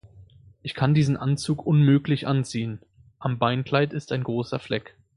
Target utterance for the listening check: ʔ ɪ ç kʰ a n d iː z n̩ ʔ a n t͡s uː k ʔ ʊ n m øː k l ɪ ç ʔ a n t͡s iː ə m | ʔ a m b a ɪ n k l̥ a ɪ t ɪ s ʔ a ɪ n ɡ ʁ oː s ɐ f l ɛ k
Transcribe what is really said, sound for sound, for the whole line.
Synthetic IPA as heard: ʔ ɪ ç kʰ a n d iː z n̩ ʔ a n t͡s uː k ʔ ʊ n m øː k l ɪ ç ʔ a n t͡s iː ə n | ʔ a m b a ɪ n k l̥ a ɪ t ɪ s t a ɪ n ɡ ʁ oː s ɐ f l ɛ k